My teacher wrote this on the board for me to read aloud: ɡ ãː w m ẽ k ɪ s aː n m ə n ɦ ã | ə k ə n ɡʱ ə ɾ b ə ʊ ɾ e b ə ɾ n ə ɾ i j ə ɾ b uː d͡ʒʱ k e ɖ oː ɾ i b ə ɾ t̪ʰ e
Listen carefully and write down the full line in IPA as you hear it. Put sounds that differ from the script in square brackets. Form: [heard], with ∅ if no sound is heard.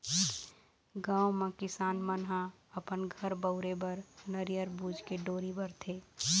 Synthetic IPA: ɡ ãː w m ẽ k ɪ s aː n m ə n ɦ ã | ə [p] ə n ɡʱ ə ɾ b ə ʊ ɾ e b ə ɾ n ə ɾ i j ə ɾ b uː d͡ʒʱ k e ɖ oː ɾ i b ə ɾ t̪ʰ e